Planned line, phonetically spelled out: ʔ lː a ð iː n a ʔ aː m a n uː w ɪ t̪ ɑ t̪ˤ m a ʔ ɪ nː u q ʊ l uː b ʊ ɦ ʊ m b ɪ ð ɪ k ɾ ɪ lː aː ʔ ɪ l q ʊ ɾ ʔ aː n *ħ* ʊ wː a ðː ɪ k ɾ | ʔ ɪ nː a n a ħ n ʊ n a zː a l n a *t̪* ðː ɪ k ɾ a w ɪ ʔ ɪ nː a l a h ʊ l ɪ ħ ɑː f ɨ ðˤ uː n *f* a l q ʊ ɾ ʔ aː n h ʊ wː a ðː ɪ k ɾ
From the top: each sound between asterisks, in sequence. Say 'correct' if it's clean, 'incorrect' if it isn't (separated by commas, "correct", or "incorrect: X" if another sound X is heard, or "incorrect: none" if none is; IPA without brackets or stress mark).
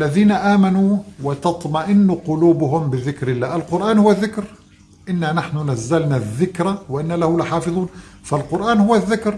incorrect: h, incorrect: none, correct